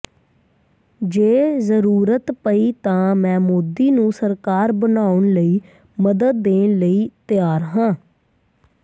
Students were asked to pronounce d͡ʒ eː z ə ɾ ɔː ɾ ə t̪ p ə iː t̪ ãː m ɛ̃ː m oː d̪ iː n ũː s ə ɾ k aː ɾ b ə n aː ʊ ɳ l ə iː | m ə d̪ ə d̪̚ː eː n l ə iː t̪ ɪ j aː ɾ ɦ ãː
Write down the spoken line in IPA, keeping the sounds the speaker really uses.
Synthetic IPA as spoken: d͡ʒ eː z ə ɾ uː ɾ ə t̪ p ə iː t̪ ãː m ɛ̃ː m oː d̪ iː n ũː s ə ɾ k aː ɾ b ə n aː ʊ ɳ l ə iː | m ə d̪ ə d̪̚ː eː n l ə iː t̪ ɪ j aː ɾ ɦ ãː